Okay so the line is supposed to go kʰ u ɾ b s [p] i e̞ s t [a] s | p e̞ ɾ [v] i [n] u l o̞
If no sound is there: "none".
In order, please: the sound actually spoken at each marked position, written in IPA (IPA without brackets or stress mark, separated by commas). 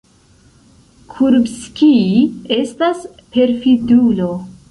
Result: k, a, f, d